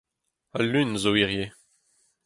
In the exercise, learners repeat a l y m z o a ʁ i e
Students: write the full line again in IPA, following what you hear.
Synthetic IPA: a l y n z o i ʁ j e